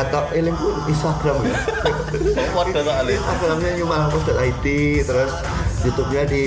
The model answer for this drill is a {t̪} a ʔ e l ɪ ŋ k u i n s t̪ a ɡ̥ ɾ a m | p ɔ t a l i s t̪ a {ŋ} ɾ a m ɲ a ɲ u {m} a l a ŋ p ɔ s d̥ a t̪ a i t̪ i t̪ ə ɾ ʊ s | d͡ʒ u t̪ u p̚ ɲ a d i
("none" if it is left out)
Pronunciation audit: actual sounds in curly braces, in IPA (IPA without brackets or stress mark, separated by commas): t̪, ɡ, m